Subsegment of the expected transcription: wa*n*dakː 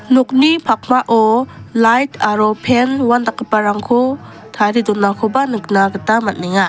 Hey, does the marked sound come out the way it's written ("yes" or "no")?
yes